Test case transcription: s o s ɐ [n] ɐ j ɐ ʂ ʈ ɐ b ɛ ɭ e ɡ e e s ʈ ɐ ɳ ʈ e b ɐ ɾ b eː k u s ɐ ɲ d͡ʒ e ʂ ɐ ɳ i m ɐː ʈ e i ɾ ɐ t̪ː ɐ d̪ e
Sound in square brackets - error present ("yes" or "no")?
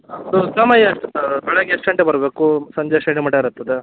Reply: yes